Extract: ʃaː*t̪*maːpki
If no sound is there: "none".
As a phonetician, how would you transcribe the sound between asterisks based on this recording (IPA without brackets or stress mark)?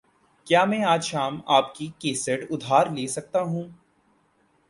none